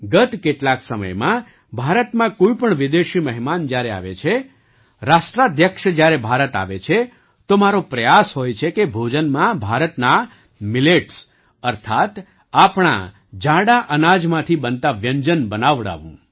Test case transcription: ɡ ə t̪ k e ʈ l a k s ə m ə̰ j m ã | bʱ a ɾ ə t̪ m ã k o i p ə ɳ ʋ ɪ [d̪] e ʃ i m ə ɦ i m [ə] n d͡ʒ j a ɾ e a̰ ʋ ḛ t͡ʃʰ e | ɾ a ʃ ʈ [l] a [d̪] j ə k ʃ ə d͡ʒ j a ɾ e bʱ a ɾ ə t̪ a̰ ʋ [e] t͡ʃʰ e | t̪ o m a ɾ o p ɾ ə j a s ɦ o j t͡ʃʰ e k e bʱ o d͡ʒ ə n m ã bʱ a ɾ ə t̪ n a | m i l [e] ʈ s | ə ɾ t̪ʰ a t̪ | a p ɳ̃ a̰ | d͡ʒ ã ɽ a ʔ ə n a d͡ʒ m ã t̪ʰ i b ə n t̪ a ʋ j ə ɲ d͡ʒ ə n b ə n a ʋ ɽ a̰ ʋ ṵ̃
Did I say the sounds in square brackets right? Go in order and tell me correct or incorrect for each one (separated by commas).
correct, incorrect, incorrect, correct, correct, correct